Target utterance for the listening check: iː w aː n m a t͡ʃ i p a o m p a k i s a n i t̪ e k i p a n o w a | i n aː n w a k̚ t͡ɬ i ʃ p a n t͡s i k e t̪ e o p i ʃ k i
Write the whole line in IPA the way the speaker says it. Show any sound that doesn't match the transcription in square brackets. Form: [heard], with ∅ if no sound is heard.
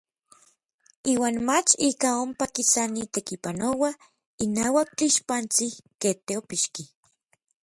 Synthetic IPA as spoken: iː w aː n m a t͡ʃ i [k] a o m p a k i s a n i t̪ e k i p a n o w a | i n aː [∅] w a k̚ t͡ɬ i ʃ p a n t͡s i k e t̪ e o p i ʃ k i